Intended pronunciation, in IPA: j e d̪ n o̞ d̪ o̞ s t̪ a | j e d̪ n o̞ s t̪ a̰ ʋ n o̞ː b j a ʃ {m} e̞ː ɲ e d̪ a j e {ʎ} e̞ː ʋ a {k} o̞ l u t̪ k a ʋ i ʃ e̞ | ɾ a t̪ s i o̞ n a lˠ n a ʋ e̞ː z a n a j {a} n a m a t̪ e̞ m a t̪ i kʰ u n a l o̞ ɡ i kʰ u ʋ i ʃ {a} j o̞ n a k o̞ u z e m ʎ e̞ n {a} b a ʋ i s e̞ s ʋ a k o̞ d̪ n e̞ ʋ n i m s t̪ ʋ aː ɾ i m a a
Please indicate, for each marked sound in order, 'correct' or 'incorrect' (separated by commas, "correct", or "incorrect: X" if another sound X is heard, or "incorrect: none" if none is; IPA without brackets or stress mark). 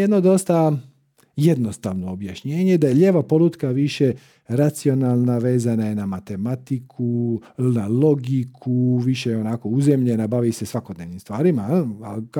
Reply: incorrect: ɲ, correct, incorrect: p, incorrect: e, incorrect: e, correct